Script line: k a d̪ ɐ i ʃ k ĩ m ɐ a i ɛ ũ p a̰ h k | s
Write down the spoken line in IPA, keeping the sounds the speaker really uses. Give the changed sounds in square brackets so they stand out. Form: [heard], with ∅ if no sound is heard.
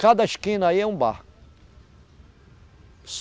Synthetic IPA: k a d̪ ɐ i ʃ k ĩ [n] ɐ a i ɛ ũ [b] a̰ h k | s